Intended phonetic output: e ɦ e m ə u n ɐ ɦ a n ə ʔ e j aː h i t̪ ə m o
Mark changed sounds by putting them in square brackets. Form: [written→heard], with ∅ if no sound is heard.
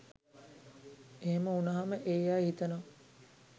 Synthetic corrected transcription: e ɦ e m ə u n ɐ ɦ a [n→m] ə ʔ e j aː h i t̪ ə [m→n] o